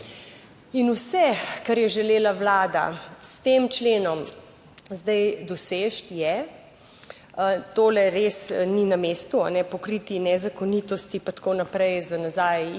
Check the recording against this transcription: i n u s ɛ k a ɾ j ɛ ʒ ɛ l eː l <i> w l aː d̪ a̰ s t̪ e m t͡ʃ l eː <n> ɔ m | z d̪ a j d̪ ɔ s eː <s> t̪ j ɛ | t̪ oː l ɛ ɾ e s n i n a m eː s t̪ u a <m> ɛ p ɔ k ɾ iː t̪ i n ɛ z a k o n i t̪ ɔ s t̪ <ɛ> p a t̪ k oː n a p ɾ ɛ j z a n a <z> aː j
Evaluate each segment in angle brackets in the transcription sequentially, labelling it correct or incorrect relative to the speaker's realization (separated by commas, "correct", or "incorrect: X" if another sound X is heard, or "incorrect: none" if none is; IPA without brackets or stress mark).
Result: incorrect: a, correct, incorrect: ʃ, incorrect: n, incorrect: i, correct